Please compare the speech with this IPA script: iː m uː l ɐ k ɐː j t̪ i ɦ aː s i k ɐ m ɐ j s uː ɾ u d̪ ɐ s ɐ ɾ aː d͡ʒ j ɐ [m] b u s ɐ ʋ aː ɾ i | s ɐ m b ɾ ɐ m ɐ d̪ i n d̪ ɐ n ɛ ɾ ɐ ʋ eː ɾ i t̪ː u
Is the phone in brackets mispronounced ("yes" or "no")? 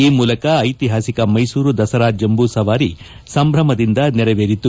no